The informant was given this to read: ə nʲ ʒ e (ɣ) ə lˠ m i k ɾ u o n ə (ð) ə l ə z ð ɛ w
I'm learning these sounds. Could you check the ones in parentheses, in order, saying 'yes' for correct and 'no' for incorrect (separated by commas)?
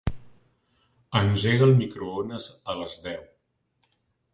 yes, no